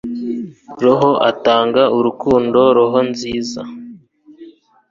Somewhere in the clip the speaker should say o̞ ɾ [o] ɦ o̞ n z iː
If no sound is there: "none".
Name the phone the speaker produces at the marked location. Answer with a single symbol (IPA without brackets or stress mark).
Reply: o